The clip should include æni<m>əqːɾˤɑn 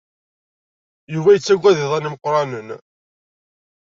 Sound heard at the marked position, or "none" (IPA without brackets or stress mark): m